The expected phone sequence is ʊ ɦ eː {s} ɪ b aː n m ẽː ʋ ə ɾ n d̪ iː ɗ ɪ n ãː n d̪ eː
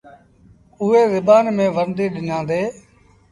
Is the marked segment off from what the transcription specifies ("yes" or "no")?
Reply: yes